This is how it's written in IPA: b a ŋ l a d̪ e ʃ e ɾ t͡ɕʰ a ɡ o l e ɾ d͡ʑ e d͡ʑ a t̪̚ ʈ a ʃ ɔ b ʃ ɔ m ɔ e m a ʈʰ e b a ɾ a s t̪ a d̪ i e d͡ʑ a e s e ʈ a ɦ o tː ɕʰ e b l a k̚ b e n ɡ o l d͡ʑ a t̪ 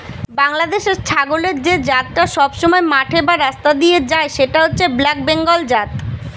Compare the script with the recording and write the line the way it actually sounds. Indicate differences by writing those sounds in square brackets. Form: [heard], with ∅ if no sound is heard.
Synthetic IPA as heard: b a ŋ l a d̪ e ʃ e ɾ t͡ɕʰ a ɡ o l e ɾ d͡ʑ e d͡ʑ a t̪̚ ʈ a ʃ ɔ b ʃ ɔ m ɔ e m a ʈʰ e b a ɾ a s t̪ a d̪ i e d͡ʑ a e [ʃ] e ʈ a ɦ o tː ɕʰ e b l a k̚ b e [ŋ] ɡ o l d͡ʑ a t̪